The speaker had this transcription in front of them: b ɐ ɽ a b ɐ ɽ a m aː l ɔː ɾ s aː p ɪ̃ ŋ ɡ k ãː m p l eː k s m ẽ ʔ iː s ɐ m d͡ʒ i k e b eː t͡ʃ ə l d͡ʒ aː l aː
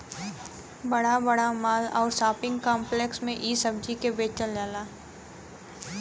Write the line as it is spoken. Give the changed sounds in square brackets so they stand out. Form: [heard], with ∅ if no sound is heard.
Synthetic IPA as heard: b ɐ ɽ a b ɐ ɽ a m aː l ɔː ɾ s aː p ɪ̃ ŋ ɡ k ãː m p l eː k s m ẽ ʔ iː s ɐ [b] d͡ʒ i k e b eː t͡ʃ ə l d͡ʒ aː l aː

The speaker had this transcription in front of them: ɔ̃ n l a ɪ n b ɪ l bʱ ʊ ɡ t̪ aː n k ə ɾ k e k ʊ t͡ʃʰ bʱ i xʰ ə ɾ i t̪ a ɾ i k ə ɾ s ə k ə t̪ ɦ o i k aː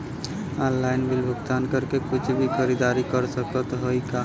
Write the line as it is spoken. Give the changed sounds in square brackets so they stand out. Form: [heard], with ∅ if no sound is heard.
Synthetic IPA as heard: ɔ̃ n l a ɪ n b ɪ l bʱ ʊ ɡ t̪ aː n k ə ɾ k e k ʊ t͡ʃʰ bʱ i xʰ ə ɾ i [d̪] a ɾ i k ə ɾ s ə k ə t̪ ɦ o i k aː

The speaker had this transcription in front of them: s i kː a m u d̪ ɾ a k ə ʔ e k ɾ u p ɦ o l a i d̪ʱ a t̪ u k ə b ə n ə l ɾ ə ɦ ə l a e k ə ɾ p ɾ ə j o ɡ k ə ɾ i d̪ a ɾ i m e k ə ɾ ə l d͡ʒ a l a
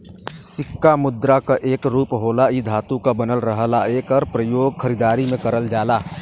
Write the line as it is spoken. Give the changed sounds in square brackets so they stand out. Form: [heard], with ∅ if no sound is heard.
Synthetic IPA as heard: s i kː a m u d̪ ɾ a k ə ʔ e k ɾ u p ɦ o l a i d̪ʱ a t̪ u k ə b ə n ə l ɾ ə ɦ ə l a e k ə ɾ p ɾ ə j o ɡ [kʰ] ə ɾ i d̪ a ɾ i m e k ə ɾ ə l d͡ʒ a l a

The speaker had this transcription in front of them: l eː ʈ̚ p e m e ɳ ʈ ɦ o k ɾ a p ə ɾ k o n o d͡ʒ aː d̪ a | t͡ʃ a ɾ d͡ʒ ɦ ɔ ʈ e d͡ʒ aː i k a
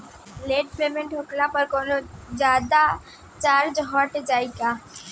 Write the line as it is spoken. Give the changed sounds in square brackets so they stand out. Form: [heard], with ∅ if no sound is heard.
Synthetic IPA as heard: l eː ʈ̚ p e m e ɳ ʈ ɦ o k [l] a p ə ɾ k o n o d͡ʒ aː d̪ a | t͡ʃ a ɾ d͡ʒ ɦ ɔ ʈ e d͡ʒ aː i k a

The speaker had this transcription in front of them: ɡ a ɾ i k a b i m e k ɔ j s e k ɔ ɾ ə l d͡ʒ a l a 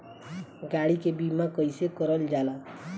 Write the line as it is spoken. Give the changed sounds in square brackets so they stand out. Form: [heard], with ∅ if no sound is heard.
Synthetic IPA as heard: ɡ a [ɽ] i k [e] b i m [a] k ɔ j s e k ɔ ɾ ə l d͡ʒ a l a

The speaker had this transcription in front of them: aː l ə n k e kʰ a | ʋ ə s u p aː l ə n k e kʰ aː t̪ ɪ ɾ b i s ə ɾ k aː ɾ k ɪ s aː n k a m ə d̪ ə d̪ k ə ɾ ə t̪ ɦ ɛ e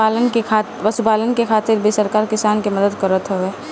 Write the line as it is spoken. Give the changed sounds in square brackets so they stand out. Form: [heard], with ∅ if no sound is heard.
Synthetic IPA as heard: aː l ə n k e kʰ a | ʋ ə s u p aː l ə n k e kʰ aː t̪ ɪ ɾ b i s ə ɾ k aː ɾ k ɪ s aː n k [e] m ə d̪ ə d̪ k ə ɾ ə t̪ ɦ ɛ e

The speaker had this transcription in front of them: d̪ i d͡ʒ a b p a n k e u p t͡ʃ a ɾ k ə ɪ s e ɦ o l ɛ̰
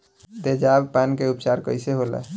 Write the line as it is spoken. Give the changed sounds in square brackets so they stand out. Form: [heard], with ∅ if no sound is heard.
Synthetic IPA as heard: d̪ [e] d͡ʒ a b p a n k e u p t͡ʃ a ɾ k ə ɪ s e ɦ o l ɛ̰

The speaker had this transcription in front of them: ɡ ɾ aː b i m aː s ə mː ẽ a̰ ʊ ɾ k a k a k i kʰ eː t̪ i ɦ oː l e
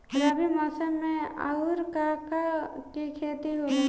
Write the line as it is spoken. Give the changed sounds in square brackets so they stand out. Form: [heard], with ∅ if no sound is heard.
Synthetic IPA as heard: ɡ ɾ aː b i m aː s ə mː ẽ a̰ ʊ ɾ k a k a k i kʰ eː t̪ i ɦ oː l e

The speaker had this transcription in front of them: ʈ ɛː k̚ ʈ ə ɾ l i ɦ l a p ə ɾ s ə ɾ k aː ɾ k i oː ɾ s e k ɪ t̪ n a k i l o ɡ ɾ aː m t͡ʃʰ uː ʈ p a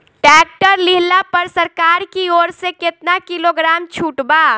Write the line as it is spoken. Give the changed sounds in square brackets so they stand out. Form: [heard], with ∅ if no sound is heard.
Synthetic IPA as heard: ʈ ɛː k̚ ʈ ə ɾ l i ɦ l a p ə ɾ s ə ɾ k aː ɾ k i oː ɾ s e k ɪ t̪ n a k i l o ɡ ɾ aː m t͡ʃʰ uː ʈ [b] a

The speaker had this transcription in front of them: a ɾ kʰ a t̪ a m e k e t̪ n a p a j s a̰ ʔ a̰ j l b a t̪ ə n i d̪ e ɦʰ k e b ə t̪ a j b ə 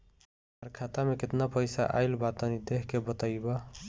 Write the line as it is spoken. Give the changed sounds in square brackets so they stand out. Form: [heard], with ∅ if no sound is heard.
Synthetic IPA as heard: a ɾ kʰ a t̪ a m e k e t̪ n a p [ə] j s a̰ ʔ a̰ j l b a t̪ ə n i d̪ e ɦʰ k e b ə t̪ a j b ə

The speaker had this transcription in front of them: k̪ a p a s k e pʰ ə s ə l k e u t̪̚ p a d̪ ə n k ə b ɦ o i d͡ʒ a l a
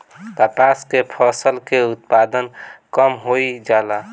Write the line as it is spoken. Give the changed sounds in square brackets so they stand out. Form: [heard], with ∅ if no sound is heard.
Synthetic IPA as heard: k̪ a p a s k e pʰ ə s ə l k e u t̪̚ p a d̪ ə n k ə [m] ɦ o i d͡ʒ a l a

